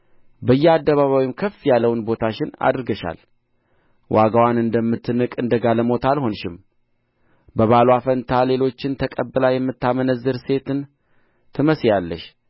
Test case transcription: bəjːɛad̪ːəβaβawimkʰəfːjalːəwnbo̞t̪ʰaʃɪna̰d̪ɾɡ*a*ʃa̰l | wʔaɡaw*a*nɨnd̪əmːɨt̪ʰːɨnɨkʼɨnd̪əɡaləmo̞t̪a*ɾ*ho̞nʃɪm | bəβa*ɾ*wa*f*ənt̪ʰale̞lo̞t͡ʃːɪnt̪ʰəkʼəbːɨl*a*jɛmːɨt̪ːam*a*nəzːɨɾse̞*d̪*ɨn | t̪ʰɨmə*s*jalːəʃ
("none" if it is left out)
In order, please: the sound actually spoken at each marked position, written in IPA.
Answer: ə, a, l, l, f, a, ə, t̪, s

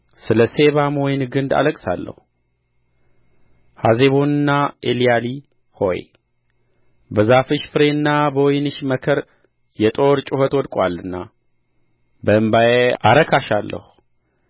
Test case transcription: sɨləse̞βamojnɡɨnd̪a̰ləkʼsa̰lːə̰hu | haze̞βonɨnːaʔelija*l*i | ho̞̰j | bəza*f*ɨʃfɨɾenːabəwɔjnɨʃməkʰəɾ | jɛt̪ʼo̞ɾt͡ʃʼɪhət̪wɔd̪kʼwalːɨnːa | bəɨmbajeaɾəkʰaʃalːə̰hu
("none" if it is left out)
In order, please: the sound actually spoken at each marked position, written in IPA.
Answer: l, f

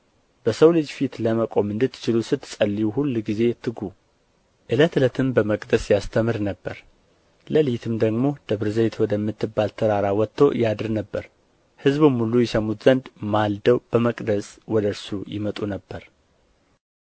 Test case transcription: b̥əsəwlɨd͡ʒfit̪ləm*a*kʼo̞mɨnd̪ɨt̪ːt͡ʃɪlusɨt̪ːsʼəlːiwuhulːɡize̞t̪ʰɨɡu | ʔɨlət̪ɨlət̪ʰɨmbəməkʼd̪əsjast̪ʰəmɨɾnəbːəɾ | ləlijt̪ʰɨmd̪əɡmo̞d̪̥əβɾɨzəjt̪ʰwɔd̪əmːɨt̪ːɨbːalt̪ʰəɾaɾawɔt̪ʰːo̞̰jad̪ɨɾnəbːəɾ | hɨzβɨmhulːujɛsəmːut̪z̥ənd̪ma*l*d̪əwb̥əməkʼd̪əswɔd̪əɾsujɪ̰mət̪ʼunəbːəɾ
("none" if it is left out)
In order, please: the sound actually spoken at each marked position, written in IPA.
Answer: ə, l

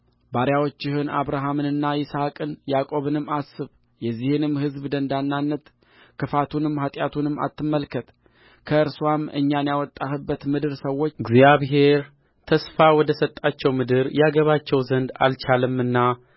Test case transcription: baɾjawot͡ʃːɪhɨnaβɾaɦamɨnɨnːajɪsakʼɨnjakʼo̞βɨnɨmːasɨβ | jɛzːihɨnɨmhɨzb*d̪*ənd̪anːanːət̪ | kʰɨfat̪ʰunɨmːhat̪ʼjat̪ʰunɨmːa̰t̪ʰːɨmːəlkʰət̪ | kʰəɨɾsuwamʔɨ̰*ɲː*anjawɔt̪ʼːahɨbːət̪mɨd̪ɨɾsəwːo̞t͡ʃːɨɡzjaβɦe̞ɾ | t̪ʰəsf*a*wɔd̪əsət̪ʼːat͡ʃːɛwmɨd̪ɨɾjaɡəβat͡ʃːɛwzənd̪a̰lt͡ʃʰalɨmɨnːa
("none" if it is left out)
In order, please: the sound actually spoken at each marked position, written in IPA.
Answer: d̪, ɲː, a

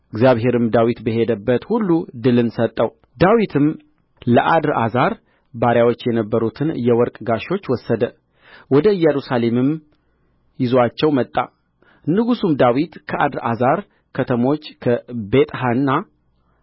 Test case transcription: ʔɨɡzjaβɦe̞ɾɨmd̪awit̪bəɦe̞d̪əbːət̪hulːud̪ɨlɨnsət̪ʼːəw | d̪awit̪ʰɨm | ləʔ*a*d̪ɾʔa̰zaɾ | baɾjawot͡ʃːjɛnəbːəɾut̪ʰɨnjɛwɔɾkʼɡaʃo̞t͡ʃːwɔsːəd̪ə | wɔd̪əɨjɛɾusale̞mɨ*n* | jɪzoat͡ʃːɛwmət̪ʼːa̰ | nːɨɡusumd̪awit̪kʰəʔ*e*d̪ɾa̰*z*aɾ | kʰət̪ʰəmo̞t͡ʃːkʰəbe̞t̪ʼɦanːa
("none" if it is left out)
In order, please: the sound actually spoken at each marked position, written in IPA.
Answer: a, m, a, z

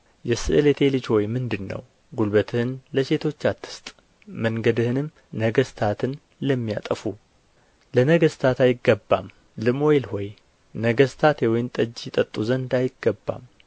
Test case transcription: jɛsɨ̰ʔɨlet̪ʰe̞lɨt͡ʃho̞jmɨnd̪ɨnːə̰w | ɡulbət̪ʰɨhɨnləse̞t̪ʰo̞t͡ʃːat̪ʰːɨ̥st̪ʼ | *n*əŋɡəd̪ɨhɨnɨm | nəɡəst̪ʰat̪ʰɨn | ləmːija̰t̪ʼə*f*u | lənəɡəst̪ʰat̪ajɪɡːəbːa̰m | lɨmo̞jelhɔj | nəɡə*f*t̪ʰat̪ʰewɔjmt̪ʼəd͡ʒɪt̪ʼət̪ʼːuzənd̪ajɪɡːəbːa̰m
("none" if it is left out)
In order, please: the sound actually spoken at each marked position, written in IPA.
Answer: m, f, s

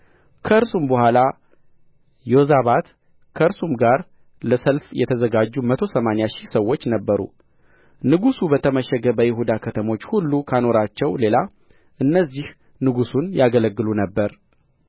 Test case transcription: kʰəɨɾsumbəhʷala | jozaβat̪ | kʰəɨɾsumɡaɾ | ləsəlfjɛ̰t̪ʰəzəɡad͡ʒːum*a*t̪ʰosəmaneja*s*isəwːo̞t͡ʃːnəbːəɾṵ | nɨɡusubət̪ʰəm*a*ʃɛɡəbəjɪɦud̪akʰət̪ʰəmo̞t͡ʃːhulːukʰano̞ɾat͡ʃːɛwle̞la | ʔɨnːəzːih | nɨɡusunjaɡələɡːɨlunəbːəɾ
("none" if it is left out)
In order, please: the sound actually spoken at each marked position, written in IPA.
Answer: ə, ʃ, ə

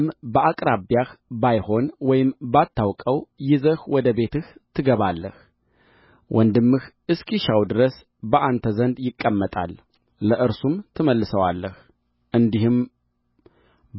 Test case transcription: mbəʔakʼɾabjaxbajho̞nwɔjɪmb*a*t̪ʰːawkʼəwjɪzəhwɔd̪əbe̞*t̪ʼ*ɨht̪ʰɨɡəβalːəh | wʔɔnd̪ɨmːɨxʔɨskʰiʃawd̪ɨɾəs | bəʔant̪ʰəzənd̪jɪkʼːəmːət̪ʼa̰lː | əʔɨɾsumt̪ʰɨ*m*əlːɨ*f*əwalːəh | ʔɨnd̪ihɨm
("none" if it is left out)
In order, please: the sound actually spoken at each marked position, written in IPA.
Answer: a, t̪, m, s

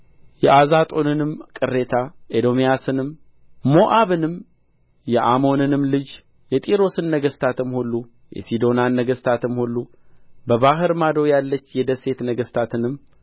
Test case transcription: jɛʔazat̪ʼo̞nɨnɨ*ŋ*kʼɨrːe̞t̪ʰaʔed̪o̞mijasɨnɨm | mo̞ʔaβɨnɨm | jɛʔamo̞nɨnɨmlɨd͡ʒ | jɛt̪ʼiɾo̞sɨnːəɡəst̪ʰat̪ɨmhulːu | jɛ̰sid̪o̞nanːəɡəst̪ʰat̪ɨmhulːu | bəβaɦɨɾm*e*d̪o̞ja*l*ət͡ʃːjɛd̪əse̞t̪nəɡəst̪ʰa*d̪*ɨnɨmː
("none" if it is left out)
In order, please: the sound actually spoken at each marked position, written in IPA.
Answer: m, a, lː, t̪

